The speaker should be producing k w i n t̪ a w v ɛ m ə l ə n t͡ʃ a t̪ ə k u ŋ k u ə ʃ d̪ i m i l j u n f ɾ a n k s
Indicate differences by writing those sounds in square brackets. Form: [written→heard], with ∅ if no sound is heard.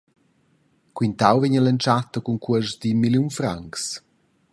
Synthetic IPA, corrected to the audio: k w i n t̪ a w v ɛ [m→ɲ] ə l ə n t͡ʃ a t̪ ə k u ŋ k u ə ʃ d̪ i m i l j u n f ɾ a [n→ŋ] k s